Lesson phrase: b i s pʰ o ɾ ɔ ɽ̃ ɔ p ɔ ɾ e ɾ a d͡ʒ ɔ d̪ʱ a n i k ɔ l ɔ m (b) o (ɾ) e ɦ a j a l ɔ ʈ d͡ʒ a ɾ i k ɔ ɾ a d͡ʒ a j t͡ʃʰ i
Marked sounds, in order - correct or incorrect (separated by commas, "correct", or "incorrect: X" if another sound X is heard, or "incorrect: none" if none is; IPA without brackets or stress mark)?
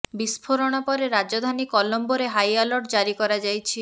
correct, correct